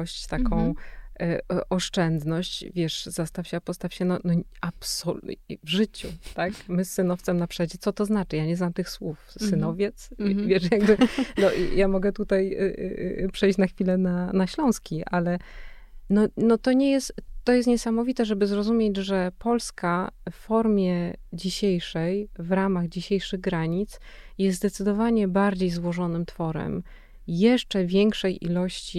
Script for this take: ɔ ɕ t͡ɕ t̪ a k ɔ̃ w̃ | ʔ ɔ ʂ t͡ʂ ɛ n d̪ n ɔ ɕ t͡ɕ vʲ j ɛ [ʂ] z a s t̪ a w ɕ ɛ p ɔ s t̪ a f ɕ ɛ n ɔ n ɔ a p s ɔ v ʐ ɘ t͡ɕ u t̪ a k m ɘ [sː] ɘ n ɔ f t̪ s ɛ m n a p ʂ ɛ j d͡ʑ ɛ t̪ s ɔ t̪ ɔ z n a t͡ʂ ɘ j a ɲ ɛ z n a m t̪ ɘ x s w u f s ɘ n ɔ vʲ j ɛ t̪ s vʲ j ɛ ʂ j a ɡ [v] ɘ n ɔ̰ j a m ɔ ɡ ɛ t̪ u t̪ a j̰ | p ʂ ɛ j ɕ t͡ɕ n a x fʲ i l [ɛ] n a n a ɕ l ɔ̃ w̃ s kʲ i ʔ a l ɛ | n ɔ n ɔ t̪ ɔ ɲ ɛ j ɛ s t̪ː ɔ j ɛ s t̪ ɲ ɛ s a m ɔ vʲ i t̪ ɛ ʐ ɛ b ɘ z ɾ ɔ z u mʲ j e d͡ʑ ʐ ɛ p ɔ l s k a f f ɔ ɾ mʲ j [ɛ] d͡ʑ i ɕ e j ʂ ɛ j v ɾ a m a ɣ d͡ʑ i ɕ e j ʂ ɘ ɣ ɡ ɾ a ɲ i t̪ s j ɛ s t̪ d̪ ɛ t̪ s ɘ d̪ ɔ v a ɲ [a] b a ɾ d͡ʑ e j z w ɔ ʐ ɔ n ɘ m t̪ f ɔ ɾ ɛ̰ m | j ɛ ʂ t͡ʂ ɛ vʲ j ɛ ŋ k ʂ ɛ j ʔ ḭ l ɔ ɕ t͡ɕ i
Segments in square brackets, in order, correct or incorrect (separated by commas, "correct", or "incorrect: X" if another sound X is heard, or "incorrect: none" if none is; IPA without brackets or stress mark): correct, correct, incorrect: b, correct, correct, incorrect: ɛ